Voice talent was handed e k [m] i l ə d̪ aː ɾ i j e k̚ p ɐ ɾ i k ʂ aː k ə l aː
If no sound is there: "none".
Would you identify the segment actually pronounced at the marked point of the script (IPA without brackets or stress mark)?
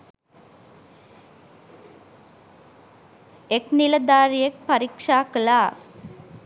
n